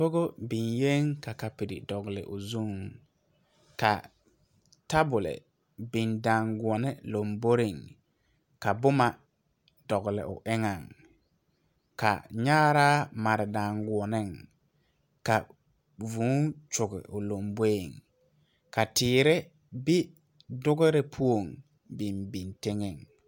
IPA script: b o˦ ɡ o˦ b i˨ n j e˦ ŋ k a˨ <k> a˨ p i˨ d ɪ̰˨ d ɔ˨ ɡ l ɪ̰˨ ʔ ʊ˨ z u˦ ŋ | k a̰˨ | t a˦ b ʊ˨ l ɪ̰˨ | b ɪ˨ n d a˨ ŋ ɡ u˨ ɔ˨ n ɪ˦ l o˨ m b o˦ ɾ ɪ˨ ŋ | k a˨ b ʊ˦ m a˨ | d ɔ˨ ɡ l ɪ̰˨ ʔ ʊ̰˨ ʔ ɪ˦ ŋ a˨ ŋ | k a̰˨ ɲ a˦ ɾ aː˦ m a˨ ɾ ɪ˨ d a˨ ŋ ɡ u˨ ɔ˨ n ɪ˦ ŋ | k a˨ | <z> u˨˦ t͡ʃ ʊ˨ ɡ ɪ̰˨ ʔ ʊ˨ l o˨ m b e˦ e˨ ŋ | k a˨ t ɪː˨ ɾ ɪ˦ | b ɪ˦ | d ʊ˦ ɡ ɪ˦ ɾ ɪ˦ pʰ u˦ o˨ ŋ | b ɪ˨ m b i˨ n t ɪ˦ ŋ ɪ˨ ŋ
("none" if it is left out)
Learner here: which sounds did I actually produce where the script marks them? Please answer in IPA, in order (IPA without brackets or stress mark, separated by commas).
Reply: k, v